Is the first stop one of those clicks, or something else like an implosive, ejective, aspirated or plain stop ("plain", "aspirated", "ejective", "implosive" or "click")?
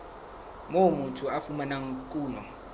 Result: aspirated